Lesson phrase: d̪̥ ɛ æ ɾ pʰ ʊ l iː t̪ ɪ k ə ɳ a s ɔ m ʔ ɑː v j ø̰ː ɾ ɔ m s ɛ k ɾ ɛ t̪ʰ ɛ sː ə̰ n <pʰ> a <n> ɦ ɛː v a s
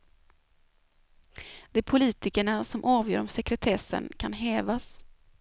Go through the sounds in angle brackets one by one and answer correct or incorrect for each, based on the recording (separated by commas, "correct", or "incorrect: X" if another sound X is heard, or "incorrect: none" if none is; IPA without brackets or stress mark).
incorrect: kʰ, correct